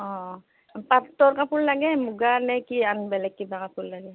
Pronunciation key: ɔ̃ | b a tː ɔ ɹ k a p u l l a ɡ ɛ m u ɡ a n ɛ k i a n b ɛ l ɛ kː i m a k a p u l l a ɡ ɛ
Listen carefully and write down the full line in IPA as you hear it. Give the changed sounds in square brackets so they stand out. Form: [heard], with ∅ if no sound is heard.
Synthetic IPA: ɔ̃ | [p] a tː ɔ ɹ k a p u l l a ɡ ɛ m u ɡ a n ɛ k i a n b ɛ l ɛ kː i [b] a k a p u l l a ɡ ɛ